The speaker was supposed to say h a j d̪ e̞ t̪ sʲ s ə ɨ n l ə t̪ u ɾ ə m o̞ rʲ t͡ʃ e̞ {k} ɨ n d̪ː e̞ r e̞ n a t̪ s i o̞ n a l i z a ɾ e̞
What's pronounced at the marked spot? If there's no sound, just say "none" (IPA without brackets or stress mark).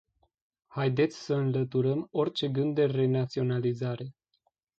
ɡ